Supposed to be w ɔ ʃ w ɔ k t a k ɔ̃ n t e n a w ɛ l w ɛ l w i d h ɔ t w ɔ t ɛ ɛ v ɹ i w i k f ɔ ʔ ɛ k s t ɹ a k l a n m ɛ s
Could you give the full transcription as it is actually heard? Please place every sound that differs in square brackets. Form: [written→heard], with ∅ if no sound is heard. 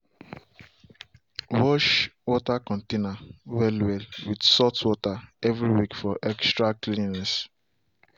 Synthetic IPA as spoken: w ɔ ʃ w ɔ [k→∅] t a k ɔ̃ n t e n a w ɛ l w ɛ l w i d [h→s] ɔ t w ɔ t [ɛ→a] ɛ v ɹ i w i k f ɔ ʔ ɛ k s t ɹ a k l [a→i] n [m→n] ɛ s